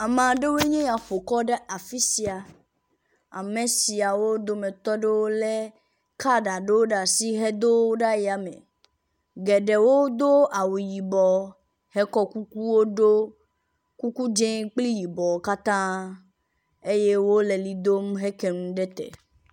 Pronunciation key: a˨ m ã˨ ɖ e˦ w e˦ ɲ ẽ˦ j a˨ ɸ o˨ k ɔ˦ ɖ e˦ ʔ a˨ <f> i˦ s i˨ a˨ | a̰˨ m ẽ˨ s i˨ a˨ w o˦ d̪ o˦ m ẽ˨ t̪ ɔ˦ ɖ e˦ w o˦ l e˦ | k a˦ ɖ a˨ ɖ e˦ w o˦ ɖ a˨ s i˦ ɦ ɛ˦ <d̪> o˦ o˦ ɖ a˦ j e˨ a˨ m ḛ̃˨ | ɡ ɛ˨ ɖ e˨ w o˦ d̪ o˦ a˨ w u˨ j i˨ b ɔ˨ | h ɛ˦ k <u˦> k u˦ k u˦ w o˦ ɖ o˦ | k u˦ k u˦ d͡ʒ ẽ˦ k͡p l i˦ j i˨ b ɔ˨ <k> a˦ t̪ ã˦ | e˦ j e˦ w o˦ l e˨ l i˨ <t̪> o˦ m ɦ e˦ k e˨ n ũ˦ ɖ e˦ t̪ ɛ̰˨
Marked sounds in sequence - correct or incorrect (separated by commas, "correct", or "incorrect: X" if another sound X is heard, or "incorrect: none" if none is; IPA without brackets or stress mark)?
correct, correct, incorrect: ɔ˦, correct, incorrect: d̪